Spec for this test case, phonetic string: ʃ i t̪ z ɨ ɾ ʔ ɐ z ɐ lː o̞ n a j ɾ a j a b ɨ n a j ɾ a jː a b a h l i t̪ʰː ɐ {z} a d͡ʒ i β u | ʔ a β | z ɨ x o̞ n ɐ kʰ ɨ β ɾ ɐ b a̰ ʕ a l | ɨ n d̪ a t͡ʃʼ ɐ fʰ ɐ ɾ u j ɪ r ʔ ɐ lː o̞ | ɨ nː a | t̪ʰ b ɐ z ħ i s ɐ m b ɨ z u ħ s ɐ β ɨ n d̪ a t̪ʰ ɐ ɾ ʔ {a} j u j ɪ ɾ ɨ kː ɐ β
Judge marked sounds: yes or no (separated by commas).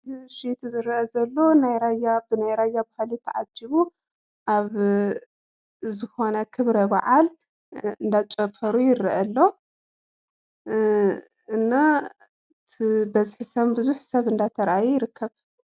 no, yes